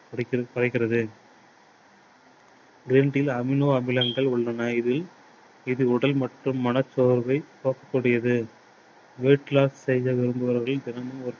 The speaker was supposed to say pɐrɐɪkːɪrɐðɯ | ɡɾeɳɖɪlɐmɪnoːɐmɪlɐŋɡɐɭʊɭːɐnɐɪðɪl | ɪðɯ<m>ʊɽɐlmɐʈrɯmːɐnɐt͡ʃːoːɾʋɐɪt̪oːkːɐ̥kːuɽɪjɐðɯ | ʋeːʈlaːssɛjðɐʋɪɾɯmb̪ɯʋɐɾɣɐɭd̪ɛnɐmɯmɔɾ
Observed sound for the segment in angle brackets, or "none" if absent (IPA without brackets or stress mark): none